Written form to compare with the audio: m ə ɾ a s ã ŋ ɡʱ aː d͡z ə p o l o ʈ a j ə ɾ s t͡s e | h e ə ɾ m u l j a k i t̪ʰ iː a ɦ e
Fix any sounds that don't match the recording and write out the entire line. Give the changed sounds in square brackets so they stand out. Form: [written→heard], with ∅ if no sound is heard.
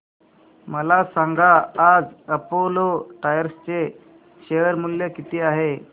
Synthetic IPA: m ə [ɾ→l] a s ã ŋ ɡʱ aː d͡z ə p o l o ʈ a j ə ɾ s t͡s e | [h→ɕ] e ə ɾ m u l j [a→e] k i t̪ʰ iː a ɦ e